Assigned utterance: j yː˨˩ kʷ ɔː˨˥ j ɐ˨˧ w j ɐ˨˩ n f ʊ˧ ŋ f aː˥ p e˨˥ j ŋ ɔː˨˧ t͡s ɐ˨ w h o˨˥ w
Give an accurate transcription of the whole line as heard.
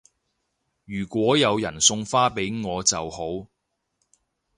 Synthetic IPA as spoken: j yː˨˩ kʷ ɔː˨˥ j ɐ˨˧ w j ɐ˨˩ n s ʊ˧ ŋ f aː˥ p e˨˥ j ŋ ɔː˨˧ t͡s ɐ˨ w h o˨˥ w